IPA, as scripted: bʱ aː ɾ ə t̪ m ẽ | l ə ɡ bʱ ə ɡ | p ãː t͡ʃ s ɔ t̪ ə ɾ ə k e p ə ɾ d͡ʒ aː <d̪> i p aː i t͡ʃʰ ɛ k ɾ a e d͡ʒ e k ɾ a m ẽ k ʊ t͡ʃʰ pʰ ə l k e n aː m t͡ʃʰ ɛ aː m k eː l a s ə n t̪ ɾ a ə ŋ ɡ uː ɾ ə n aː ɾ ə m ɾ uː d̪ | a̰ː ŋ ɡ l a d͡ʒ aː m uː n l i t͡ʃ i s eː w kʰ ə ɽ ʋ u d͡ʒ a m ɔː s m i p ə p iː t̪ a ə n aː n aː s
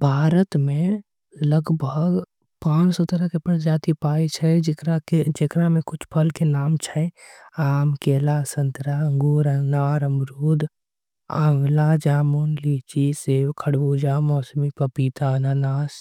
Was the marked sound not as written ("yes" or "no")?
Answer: yes